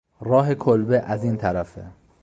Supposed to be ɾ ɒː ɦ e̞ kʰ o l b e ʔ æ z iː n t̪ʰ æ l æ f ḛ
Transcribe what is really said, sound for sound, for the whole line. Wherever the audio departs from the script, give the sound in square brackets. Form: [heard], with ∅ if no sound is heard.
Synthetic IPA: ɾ ɒː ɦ e̞ kʰ o l b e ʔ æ z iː n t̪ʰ æ [ɾ] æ f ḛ